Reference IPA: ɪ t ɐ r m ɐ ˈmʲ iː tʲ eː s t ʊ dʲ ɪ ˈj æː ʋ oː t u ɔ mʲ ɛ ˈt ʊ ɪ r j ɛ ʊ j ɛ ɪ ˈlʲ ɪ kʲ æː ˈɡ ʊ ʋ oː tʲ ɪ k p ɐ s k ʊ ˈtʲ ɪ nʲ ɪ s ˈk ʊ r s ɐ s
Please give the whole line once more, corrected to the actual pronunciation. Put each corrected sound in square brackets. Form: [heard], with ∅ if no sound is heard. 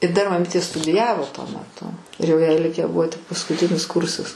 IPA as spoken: ɪ [d] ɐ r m ɐ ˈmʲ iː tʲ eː s t ʊ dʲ ɪ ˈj æː ʋ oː t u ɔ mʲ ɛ ˈt ʊ ɪ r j ɛ ʊ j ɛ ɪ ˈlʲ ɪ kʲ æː [ˈb] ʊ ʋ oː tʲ ɪ k p ɐ s k ʊ ˈtʲ ɪ nʲ ɪ s ˈk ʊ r s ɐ s